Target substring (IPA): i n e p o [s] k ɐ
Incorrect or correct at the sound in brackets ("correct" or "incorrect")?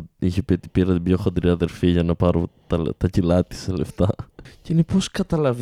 correct